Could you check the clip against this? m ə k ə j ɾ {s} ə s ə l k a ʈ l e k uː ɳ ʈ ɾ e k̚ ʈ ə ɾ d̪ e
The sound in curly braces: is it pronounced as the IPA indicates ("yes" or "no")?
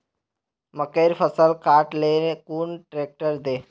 no